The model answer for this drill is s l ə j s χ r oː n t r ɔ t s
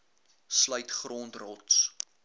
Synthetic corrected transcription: s l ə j t χ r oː n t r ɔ t s